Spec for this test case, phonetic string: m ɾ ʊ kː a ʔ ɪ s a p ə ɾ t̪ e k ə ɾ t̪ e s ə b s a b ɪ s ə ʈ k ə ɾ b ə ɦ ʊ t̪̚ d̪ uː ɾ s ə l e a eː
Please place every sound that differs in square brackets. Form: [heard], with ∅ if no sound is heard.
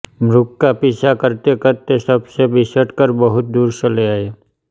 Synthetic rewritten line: m ɾ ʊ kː a [p] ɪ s a [k] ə ɾ t̪ e k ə ɾ t̪ e s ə b s [e] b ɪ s ə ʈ k ə ɾ b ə ɦ ʊ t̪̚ d̪ uː ɾ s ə l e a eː